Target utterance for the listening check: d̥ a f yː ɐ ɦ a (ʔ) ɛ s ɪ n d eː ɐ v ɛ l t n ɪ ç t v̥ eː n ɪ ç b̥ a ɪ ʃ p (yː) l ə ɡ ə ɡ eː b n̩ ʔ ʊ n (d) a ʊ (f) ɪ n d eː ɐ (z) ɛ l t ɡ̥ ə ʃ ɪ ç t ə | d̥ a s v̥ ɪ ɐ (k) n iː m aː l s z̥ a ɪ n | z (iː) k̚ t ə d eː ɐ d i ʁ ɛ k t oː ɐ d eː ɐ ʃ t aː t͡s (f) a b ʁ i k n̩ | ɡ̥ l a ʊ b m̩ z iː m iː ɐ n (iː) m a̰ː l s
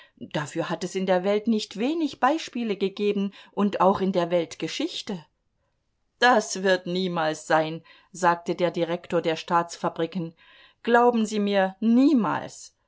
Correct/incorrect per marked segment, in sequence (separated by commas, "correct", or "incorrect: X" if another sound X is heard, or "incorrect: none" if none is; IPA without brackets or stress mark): incorrect: t, incorrect: iː, incorrect: t, incorrect: x, incorrect: v, incorrect: t, incorrect: aː, correct, correct